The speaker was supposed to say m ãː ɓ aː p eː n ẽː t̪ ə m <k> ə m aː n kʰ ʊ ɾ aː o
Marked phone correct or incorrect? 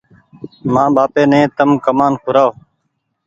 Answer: correct